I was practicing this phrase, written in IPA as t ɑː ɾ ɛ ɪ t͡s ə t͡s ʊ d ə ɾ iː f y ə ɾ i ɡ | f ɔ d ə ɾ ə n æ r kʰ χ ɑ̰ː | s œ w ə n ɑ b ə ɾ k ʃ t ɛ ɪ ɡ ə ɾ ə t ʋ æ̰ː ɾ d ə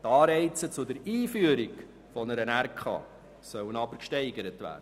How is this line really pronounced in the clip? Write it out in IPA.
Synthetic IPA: t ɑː ɾ ɛ ɪ t͡s ə t͡s ʊ d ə ɾ iː f y ə ɾ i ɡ | f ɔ n ə ɾ ə n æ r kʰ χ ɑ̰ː | s œ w ə n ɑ b ə ɾ k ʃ t ɛ ɪ ɡ ə ɾ ə t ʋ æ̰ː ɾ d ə